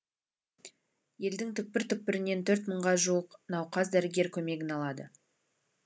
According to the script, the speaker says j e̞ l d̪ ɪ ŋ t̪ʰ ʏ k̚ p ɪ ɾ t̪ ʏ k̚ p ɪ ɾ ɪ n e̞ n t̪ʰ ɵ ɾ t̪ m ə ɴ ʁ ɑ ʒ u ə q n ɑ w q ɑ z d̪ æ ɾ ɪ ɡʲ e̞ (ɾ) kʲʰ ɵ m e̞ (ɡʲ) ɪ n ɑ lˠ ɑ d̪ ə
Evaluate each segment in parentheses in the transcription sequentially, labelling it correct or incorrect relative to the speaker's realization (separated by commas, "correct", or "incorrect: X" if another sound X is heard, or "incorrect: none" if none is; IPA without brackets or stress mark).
correct, correct